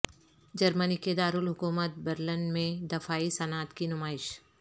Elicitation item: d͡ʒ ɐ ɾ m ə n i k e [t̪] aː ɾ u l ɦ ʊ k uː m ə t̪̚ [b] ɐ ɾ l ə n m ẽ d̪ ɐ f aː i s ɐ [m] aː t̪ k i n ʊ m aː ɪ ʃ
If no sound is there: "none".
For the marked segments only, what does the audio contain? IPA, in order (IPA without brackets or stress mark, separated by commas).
d̪, b, n